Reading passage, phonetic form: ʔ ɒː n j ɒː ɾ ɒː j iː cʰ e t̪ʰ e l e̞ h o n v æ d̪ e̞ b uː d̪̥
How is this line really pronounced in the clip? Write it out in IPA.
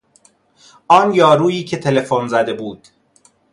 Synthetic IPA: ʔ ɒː n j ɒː ɾ uː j iː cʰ e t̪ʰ e l e̞ f o n z æ d̪ e̞ b uː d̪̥